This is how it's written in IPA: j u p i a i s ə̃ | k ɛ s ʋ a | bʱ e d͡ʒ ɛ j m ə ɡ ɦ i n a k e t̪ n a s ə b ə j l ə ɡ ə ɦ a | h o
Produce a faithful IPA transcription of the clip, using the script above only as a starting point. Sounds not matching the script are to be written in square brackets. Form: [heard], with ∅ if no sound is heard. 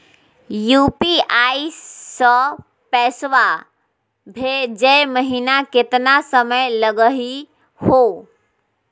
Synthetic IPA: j u p i a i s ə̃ | [p] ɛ s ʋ a | bʱ e d͡ʒ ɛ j m ə [∅] ɦ i n a k e t̪ n a s ə [m] ə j l ə ɡ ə ɦ [i] | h o